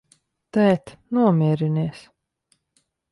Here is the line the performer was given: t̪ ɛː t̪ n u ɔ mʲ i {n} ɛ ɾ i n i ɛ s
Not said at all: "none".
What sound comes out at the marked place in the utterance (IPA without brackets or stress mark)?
none